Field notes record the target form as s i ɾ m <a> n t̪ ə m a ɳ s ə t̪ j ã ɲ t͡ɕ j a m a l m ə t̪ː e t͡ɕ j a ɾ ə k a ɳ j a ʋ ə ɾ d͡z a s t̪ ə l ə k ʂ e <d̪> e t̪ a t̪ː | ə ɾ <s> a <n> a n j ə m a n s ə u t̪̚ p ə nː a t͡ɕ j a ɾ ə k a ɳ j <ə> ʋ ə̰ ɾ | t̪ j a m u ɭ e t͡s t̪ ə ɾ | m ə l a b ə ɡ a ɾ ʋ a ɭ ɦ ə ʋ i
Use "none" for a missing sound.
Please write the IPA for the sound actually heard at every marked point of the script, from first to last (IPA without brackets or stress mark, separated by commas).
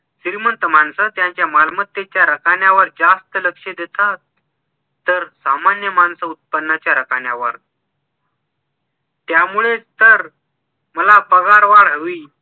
ə, d̪, s, m, a